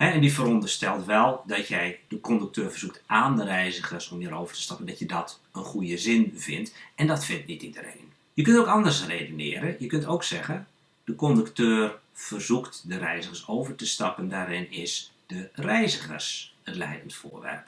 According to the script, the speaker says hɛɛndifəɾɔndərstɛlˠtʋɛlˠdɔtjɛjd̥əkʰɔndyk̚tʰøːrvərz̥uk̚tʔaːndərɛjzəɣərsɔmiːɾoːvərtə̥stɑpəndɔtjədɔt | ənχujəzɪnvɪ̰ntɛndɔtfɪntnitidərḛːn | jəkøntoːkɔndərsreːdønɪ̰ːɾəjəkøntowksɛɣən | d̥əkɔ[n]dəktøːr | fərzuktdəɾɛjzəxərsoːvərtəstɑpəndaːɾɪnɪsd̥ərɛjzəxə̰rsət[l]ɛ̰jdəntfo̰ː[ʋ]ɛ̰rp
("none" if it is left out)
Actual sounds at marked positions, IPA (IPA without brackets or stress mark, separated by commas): n, l, ʋ